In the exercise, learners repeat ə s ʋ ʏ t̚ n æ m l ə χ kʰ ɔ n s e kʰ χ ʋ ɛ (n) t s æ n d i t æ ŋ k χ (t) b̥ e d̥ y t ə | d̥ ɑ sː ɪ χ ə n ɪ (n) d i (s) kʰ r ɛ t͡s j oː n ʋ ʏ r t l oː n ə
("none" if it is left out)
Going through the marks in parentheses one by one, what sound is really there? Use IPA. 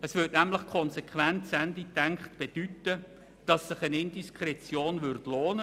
n, t, n, s

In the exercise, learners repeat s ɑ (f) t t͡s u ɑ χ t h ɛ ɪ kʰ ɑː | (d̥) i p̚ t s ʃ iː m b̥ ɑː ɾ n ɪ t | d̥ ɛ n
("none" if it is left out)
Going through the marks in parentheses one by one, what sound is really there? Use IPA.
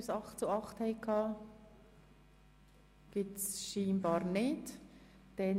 χ, ɡ̥

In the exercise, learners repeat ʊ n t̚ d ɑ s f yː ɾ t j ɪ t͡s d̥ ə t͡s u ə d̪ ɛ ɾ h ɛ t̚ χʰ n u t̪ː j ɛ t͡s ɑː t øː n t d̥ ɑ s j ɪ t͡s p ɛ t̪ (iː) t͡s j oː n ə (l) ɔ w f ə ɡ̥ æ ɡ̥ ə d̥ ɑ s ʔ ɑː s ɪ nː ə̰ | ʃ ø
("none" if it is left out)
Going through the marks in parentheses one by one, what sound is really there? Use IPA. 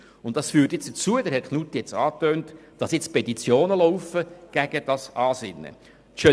i, l

